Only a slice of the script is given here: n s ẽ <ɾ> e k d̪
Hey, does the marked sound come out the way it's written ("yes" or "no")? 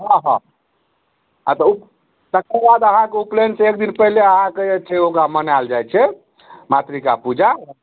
no